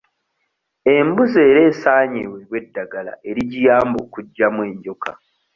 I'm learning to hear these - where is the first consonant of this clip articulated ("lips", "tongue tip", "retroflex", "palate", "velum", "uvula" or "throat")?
lips